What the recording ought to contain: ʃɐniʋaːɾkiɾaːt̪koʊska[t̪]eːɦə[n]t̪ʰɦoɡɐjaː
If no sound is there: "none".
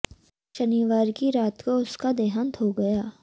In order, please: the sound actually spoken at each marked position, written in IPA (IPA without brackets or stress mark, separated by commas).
d̪, n